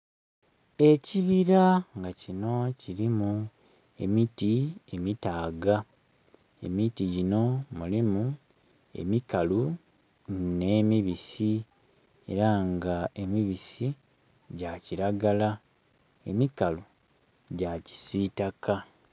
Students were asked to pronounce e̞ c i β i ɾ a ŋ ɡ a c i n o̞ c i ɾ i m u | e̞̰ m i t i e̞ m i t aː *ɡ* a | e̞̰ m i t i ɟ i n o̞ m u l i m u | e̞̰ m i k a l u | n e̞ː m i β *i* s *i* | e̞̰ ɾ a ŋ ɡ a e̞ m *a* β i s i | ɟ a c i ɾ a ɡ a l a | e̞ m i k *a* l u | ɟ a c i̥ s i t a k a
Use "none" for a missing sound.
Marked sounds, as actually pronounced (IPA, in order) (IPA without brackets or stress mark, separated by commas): ɡ, i, i, i, a